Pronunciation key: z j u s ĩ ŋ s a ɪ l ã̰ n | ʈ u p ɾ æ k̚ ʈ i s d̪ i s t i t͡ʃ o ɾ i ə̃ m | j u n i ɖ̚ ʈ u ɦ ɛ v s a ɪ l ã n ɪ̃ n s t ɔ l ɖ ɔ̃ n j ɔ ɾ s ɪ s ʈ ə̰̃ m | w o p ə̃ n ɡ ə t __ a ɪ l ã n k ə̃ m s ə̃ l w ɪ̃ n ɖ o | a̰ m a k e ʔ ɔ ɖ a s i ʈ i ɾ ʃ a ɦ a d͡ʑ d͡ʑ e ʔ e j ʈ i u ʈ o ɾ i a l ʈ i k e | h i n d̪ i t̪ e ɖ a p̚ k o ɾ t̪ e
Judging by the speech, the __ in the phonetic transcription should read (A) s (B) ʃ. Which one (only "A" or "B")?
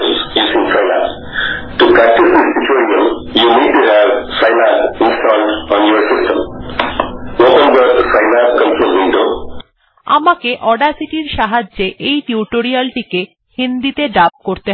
A